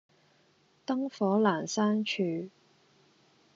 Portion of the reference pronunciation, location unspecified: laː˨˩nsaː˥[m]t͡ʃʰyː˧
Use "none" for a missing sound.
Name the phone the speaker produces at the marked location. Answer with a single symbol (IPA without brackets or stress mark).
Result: n